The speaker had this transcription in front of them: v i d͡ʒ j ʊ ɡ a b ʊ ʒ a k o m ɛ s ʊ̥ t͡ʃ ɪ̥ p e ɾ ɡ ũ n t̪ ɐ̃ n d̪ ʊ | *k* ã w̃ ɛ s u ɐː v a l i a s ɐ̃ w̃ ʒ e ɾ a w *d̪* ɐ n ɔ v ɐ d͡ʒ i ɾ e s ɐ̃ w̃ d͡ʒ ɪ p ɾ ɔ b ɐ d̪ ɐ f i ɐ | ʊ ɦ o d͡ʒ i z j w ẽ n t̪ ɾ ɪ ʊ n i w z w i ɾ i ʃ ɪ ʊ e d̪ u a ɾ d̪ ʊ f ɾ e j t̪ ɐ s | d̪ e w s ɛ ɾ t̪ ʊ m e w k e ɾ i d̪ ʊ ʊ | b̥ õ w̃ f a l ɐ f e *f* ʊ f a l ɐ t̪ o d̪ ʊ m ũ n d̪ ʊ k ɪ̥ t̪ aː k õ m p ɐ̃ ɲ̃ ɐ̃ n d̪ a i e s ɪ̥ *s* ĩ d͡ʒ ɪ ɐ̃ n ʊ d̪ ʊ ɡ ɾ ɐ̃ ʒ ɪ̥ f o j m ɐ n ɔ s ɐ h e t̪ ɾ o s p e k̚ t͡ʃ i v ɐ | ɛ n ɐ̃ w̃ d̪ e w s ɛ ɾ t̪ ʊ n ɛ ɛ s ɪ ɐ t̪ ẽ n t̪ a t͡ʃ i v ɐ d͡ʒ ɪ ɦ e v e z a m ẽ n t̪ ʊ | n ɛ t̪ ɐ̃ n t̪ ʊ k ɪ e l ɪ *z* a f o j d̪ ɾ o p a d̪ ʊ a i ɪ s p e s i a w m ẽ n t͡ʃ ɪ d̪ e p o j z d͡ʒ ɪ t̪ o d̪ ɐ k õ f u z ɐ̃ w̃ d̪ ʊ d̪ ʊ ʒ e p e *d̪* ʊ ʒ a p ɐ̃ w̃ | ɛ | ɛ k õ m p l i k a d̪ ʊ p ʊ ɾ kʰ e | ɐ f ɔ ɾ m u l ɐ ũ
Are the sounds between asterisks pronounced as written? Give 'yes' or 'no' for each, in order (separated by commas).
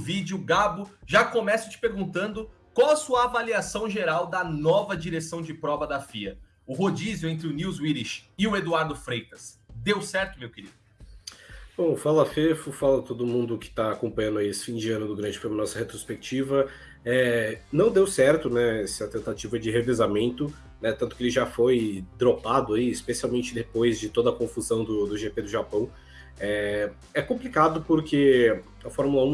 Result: yes, yes, yes, no, no, yes